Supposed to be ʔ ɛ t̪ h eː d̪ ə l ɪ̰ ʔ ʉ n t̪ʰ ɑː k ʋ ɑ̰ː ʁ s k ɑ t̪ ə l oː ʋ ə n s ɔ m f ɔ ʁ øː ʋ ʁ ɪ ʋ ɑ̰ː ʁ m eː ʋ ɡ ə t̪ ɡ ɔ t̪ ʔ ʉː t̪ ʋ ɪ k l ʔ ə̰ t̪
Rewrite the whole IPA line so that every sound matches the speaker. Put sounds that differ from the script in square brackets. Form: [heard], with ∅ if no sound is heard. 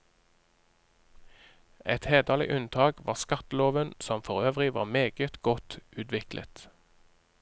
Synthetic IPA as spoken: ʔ ɛ t̪ h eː d̪ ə l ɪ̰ ʔ ʉ n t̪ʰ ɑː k ʋ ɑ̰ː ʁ s k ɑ t̪ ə l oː ʋ ə n s ɔ m f ɔ ʁ øː ʋ ʁ ɪ ʋ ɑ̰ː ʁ m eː [∅] ɡ ə t̪ ɡ ɔ t̪ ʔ ʉː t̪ ʋ ɪ k l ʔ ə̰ t̪

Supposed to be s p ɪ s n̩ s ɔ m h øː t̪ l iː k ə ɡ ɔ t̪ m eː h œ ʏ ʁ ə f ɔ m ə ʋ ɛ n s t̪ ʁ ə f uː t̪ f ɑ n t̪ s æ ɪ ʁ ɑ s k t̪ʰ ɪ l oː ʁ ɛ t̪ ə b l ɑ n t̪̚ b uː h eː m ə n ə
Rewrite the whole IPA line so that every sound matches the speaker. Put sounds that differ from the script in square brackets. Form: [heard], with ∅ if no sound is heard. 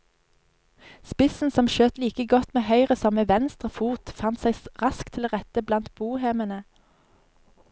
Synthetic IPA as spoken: s p ɪ s n̩ s ɔ m [ʃ] øː t̪ l iː k ə ɡ ɔ t̪ m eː h œ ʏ ʁ ə [s] ɔ m ə ʋ ɛ n s t̪ ʁ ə f uː t̪ f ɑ n t̪ s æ ɪ ʁ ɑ s k t̪ʰ ɪ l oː ʁ ɛ t̪ ə b l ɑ n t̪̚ b uː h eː m ə n ə

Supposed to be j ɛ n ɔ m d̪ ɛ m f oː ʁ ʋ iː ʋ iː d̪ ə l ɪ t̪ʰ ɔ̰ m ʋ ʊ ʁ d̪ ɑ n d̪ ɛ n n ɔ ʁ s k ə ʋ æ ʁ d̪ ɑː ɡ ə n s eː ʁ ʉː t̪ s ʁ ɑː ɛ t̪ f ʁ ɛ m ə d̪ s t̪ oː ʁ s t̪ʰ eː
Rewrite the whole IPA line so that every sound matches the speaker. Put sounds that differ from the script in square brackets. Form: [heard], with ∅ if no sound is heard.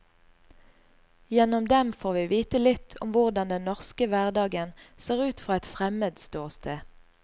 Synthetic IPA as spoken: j ɛ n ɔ m d̪ ɛ m f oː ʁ ʋ iː ʋ iː [t̪] ə l ɪ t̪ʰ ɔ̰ m ʋ ʊ ʁ d̪ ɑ n d̪ ɛ n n ɔ ʁ s k ə ʋ æ ʁ d̪ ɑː ɡ ə n s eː ʁ ʉː t̪ [f] ʁ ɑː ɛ t̪ f ʁ ɛ m ə d̪ s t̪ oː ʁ s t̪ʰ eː

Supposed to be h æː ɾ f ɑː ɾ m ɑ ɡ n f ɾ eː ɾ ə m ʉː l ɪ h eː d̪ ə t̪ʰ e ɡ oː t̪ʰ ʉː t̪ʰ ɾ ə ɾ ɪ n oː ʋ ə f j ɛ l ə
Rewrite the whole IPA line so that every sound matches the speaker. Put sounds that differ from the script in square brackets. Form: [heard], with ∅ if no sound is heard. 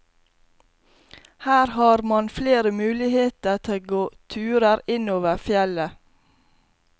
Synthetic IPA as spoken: h æː ɾ [h] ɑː ɾ m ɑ [∅] n f [l] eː ɾ ə m ʉː l ɪ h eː [t̪] ə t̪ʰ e ɡ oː t̪ʰ ʉː [∅] ɾ ə ɾ ɪ n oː ʋ ə f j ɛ l ə

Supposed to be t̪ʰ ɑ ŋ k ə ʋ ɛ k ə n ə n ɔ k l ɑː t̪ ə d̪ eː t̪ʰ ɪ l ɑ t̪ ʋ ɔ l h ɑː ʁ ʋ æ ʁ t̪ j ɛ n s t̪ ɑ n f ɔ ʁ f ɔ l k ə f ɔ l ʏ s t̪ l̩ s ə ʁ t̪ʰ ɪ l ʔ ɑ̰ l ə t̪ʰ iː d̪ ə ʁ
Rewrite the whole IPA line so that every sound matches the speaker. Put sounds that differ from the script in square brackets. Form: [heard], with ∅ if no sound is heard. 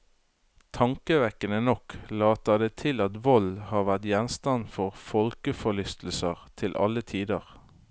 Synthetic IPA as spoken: t̪ʰ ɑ ŋ k ə ʋ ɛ k ə n ə n ɔ k l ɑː t̪ ə d̪ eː t̪ʰ ɪ l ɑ t̪ ʋ ɔ l h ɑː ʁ ʋ æ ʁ t̪ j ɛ n s t̪ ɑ n f ɔ ʁ f ɔ l k ə f ɔ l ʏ s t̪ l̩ s ə ʁ t̪ʰ ɪ l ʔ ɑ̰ l ə t̪ʰ iː d̪ ə ʁ

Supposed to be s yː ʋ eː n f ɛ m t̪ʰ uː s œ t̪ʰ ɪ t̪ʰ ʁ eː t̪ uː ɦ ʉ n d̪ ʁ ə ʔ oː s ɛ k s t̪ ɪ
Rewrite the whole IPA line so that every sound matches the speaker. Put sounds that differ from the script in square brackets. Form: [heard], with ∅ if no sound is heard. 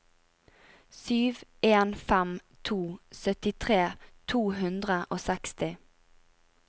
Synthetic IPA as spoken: s yː ʋ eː n f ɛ m t̪ʰ uː s œ [t̪] ɪ t̪ʰ ʁ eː [t̪ʰ] uː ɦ ʉ n d̪ ʁ ə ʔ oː s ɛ k s t̪ ɪ

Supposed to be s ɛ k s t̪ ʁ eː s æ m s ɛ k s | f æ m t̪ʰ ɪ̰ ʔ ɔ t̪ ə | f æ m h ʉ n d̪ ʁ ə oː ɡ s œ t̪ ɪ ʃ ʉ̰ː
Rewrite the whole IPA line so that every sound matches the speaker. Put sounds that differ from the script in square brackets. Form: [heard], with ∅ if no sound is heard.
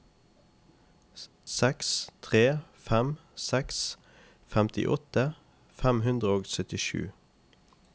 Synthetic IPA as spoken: s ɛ k s [t̪ʰ] ʁ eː [f] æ m s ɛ k s | f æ m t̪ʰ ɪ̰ ʔ ɔ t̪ ə | f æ m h ʉ n d̪ ʁ ə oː ɡ s œ t̪ ɪ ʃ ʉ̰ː

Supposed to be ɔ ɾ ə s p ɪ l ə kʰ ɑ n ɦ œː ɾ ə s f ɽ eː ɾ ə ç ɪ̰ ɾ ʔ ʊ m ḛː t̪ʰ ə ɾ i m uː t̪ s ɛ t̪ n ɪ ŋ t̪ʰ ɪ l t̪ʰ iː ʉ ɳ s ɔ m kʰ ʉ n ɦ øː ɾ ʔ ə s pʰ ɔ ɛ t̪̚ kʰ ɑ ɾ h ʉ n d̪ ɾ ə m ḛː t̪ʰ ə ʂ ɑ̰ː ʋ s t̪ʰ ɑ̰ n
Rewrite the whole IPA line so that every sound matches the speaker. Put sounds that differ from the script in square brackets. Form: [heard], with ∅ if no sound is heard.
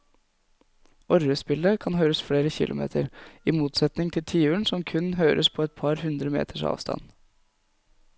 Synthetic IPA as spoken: ɔ ɾ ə s p ɪ l ə kʰ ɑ n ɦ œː ɾ ə s f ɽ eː ɾ ə ç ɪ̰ [l] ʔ ʊ m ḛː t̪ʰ ə ɾ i m uː t̪ s ɛ t̪ n ɪ ŋ t̪ʰ ɪ l t̪ʰ iː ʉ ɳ s ɔ m kʰ ʉ n ɦ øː ɾ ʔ ə s pʰ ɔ ɛ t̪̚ [pʰ] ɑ ɾ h ʉ n d̪ ɾ ə m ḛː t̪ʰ ə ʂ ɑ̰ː ʋ s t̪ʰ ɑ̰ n

